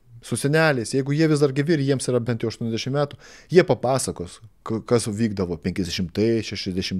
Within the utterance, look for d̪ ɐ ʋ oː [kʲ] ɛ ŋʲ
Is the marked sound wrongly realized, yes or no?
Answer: yes